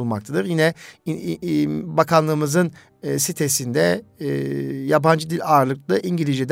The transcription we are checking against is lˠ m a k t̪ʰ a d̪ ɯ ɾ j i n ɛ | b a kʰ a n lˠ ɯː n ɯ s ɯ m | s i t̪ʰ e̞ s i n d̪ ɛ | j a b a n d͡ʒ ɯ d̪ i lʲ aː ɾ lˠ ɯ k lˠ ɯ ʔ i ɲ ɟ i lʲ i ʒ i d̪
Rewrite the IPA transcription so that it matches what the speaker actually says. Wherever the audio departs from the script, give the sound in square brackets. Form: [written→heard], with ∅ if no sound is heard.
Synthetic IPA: lˠ m a k t̪ʰ a d̪ ɯ ɾ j i n ɛ | b a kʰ a n lˠ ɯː [n→m] ɯ [s→z] ɯ [m→n] | s i t̪ʰ e̞ s i n d̪ ɛ | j a b a n d͡ʒ ɯ d̪ i lʲ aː ɾ lˠ ɯ k lˠ ɯ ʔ i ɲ ɟ i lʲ i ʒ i d̪